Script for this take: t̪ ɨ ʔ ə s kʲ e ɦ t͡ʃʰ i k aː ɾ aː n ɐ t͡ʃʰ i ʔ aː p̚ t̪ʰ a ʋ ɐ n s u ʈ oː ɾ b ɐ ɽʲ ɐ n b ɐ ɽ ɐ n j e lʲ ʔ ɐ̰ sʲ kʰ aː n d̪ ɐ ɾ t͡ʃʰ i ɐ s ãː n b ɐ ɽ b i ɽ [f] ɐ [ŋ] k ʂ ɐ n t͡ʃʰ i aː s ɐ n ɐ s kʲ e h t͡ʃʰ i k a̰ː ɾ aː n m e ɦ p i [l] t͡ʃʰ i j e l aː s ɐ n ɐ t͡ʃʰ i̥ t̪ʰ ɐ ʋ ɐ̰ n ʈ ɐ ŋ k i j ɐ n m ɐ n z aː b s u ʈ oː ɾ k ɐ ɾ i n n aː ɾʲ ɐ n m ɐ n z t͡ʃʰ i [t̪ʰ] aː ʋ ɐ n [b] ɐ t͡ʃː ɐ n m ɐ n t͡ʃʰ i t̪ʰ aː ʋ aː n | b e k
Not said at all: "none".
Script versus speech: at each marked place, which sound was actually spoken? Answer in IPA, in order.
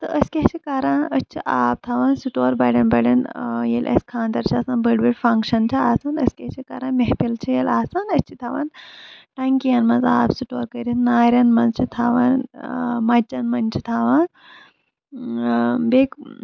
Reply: f, ŋ, l, t̪ʰ, m

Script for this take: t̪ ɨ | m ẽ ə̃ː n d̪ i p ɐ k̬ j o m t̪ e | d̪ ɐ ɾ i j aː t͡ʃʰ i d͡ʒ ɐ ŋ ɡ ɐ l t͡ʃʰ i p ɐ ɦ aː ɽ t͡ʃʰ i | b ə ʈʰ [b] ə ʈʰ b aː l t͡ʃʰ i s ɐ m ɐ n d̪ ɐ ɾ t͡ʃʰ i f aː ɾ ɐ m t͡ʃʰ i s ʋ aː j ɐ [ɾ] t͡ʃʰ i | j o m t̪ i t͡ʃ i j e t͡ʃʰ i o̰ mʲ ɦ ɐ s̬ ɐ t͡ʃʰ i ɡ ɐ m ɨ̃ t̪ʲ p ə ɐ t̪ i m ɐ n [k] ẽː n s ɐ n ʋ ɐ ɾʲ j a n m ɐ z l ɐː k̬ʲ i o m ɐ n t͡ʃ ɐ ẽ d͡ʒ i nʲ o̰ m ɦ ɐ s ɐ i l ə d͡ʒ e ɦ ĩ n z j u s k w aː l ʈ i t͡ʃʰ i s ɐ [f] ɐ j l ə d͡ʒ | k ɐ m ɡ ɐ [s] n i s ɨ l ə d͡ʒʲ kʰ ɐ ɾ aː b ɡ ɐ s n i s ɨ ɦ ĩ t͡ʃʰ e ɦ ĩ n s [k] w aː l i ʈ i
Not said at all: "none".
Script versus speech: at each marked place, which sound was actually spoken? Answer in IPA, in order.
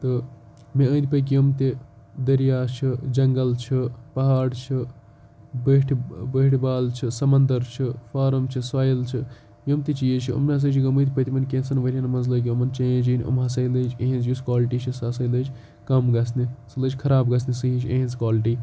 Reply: b, l, k, s, s, k

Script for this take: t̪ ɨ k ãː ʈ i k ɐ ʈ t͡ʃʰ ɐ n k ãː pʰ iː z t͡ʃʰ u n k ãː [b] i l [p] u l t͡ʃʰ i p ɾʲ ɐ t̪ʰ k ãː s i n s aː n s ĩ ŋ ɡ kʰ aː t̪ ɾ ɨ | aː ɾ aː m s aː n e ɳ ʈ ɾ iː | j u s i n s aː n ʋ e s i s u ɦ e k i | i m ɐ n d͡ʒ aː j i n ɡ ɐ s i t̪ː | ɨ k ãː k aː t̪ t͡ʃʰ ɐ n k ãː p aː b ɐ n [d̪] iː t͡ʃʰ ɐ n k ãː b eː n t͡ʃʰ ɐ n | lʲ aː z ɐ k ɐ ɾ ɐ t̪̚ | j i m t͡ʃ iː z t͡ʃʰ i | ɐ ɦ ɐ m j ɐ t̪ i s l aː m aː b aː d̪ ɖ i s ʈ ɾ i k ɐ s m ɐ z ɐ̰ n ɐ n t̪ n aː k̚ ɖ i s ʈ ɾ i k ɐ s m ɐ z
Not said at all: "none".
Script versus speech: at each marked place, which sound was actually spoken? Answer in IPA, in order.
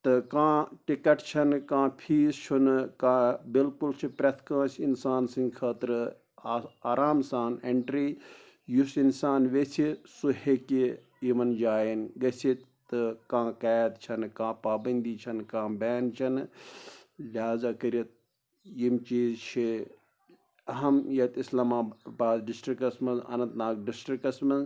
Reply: b, k, d̪

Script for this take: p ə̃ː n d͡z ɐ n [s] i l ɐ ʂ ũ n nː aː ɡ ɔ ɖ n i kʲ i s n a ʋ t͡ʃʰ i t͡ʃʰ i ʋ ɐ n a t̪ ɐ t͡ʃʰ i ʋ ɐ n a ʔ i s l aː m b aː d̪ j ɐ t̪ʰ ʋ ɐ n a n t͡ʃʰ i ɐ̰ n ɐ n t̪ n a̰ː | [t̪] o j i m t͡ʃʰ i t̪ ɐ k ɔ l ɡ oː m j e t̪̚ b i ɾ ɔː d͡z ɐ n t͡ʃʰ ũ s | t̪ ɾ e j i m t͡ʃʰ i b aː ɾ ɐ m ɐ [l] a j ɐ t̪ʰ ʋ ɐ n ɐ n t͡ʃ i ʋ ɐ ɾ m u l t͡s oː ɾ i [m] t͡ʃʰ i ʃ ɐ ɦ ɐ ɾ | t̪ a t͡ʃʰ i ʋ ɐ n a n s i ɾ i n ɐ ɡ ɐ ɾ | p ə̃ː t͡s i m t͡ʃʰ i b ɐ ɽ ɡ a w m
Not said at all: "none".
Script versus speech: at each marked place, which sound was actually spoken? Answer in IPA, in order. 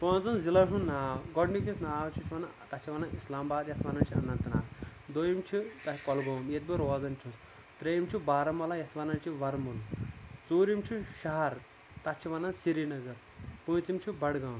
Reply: z, d̪, l, m

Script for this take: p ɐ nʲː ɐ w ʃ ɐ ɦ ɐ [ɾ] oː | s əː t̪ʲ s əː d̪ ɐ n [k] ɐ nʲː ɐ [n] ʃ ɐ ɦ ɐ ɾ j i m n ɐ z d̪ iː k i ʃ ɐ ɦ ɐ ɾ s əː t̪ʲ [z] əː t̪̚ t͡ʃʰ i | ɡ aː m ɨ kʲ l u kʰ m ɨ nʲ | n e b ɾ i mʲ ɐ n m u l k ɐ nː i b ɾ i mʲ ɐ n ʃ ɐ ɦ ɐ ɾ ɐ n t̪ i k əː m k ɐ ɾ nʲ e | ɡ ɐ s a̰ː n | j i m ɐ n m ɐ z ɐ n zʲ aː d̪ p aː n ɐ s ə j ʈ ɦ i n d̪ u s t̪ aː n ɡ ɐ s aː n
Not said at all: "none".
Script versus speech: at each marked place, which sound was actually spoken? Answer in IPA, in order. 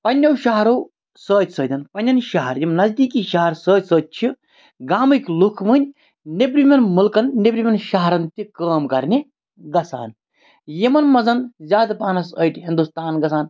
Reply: ɾ, p, n, s

